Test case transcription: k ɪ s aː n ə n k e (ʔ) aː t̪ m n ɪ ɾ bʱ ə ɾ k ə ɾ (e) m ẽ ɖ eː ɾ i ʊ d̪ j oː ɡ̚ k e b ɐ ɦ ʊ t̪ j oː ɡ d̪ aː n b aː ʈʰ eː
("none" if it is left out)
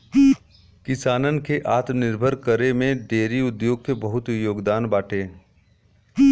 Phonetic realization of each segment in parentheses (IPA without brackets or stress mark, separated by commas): ʔ, e